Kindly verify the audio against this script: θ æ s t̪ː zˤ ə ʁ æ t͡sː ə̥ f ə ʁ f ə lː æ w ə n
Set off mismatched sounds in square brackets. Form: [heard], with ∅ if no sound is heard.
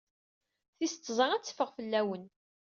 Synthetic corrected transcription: θ [i] s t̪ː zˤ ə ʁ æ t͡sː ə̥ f ə ʁ f ə lː æ w ə n